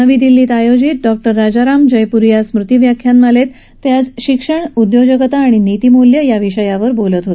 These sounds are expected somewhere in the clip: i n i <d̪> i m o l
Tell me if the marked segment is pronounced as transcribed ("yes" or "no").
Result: no